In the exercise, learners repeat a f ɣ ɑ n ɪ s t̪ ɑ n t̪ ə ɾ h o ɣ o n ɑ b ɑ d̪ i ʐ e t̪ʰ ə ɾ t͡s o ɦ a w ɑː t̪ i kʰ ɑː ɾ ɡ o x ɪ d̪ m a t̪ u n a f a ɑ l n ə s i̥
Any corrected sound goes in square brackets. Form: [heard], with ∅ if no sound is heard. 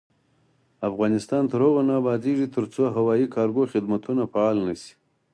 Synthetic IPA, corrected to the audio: a f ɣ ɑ n ɪ s t̪ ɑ n t̪ ə ɾ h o ɣ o n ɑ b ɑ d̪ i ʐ [i] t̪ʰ ə ɾ t͡s o ɦ a w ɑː [∅] i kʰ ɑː ɾ ɡ o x ɪ d̪ m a t̪ u n a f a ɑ l n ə s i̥